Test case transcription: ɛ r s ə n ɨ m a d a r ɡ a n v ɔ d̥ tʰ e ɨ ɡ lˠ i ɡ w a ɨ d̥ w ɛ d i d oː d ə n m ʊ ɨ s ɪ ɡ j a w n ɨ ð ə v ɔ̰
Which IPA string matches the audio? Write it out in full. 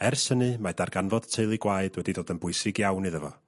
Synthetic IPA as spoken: ɛ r s ə n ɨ m a d a r ɡ a n v ɔ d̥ tʰ e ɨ lˠ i ɡ w a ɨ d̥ w ɛ d i d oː d ə n b ʊ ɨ s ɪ ɡ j a w n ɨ ð ə v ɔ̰